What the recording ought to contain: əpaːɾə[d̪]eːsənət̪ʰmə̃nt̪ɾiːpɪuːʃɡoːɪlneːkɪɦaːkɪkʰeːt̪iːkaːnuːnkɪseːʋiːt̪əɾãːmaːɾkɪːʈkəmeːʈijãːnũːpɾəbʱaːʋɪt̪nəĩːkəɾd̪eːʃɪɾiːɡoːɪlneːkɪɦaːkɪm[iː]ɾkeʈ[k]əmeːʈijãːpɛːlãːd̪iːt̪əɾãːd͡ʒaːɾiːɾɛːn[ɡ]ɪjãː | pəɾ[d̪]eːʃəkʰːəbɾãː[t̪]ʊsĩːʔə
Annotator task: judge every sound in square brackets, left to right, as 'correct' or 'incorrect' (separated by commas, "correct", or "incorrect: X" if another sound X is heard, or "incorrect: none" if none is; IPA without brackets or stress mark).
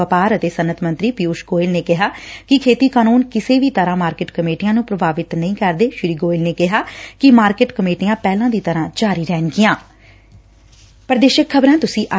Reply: incorrect: t̪, incorrect: aː, correct, correct, correct, correct